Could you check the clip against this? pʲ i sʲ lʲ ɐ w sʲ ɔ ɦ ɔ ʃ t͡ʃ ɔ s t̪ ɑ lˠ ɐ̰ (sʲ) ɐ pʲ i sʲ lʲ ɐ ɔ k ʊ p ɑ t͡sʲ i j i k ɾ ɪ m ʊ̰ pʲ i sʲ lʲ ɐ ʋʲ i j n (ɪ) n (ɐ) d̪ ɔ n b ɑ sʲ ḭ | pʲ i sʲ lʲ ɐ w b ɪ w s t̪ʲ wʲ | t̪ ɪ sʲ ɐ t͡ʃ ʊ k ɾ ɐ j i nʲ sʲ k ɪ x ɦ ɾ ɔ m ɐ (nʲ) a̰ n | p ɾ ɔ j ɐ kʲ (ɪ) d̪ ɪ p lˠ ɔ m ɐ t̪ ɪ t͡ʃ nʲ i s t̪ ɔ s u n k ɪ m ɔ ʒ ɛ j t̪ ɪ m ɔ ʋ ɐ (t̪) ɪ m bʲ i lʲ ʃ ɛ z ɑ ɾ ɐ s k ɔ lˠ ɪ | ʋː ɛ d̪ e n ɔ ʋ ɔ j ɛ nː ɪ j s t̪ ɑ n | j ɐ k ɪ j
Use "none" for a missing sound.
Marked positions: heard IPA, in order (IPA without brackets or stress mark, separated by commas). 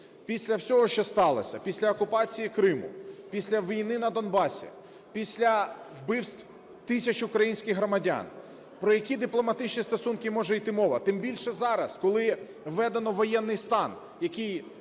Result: sʲ, ɪ, ɐ, dʲ, i, t̪